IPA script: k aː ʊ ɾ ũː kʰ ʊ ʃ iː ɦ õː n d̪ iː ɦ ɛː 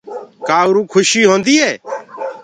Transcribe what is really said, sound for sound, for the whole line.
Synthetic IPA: k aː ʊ ɾ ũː kʰ ʊ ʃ iː ɦ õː n d̪ iː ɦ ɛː